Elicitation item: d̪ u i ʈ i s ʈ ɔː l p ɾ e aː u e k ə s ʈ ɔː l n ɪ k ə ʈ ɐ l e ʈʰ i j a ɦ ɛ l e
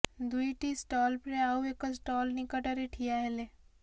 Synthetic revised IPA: d̪ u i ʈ i s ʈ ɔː l p ɾ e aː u e k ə s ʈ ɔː l n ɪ k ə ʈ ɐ ɾ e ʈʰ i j a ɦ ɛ l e